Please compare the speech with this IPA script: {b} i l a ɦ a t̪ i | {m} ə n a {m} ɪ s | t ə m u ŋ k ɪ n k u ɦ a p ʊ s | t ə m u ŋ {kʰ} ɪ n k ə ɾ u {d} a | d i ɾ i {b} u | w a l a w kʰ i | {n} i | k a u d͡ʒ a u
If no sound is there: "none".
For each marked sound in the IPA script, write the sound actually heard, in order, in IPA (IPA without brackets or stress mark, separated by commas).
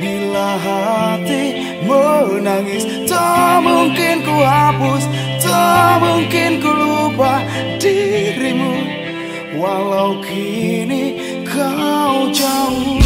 b, m, ŋ, k, b, m, n